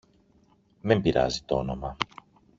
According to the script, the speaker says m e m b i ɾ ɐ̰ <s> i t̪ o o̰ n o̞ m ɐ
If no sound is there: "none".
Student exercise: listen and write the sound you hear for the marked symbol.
z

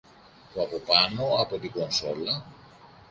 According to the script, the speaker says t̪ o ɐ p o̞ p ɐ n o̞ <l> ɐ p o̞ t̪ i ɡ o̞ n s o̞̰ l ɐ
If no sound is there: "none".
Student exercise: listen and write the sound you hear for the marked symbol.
none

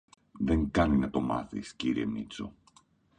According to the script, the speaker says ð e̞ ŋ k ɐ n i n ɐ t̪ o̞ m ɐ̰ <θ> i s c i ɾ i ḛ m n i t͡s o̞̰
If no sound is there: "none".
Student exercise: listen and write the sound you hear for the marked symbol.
θ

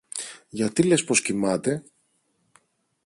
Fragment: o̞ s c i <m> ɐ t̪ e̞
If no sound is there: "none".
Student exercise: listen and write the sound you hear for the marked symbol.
m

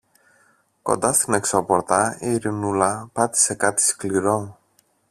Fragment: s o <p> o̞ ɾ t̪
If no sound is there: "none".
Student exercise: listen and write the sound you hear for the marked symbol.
p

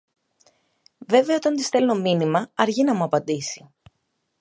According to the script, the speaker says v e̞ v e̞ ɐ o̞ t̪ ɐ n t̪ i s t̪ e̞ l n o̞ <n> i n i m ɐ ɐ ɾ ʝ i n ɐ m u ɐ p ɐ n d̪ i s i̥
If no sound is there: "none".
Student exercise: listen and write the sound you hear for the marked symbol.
m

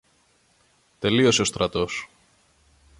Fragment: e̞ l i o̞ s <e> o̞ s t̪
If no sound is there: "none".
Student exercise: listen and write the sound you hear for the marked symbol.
e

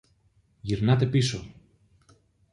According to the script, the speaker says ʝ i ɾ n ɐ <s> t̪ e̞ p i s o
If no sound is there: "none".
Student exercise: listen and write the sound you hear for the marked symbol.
none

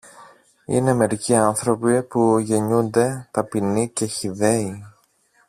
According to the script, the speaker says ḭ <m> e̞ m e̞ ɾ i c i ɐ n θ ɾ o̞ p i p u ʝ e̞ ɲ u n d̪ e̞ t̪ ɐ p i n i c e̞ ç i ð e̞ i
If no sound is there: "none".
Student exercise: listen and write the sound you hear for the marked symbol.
n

